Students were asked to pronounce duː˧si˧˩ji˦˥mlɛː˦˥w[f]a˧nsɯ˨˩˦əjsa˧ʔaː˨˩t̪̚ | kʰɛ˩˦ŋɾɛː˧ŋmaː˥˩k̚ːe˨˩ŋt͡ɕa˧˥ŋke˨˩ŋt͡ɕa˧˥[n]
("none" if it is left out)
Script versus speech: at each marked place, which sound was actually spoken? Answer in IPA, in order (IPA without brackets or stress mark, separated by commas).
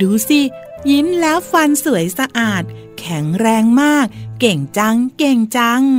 f, ŋ